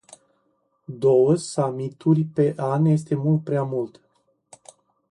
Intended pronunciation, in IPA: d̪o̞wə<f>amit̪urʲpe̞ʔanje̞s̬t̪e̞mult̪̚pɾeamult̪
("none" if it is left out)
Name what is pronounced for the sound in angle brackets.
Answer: s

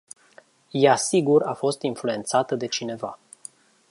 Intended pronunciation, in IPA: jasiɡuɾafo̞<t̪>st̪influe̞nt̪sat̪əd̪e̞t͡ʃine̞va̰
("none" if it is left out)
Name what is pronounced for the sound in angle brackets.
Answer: none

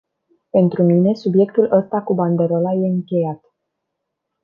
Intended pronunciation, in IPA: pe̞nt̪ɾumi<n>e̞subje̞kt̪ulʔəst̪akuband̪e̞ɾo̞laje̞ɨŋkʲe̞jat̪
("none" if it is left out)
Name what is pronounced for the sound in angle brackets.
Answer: n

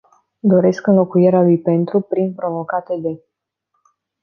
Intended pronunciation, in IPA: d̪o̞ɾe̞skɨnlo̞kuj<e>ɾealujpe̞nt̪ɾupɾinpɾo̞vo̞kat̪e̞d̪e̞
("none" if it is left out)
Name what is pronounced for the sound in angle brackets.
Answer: e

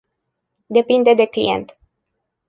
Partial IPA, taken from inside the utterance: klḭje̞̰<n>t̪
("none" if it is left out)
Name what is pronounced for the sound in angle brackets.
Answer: n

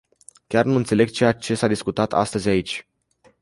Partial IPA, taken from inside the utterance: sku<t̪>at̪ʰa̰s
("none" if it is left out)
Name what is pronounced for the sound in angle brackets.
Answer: t̪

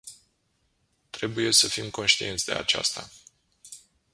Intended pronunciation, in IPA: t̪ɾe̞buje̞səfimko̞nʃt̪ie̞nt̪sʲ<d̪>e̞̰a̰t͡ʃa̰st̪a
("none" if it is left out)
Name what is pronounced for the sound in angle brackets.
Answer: d̪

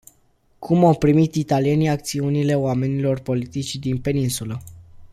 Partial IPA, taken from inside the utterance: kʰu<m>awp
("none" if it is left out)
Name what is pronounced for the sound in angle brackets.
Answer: m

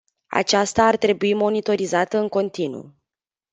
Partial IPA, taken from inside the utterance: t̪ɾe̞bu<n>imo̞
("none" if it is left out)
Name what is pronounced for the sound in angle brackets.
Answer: none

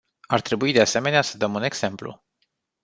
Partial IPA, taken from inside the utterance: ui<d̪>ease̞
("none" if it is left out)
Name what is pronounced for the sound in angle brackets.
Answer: d̪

